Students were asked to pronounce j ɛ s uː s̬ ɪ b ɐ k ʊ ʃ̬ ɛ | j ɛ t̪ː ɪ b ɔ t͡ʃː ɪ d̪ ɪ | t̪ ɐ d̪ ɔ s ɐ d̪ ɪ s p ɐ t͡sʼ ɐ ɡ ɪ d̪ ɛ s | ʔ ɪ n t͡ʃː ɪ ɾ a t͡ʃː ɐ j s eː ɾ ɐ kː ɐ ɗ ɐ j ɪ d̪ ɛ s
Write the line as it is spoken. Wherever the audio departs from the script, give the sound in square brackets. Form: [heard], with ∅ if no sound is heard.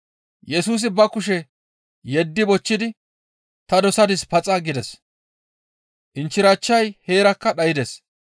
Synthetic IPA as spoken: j ɛ s uː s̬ ɪ b ɐ k ʊ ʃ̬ ɛ | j ɛ [d̪ː] ɪ b ɔ t͡ʃː ɪ d̪ ɪ | t̪ ɐ d̪ ɔ s ɐ d̪ ɪ s p ɐ t͡sʼ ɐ ɡ ɪ d̪ ɛ s | ʔ ɪ n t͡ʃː ɪ ɾ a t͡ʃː ɐ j [h] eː ɾ ɐ kː ɐ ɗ ɐ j ɪ d̪ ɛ s